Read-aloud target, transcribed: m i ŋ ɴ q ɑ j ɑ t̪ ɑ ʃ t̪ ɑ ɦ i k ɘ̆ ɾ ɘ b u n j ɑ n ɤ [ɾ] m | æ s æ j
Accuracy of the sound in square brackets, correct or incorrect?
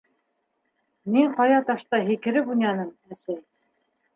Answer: incorrect